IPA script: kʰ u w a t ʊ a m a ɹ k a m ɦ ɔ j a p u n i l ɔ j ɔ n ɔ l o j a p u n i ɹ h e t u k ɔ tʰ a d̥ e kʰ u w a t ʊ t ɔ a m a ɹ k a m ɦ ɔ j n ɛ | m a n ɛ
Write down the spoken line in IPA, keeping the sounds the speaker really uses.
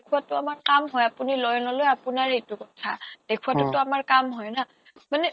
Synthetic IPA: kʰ u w a t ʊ a m a ɹ k a m ɦ ɔ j a p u n i l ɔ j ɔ n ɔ l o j a p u n a ɹ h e t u k ɔ tʰ a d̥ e kʰ u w a t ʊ t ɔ a m a ɹ k a m ɦ ɔ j n a | m a n ɛ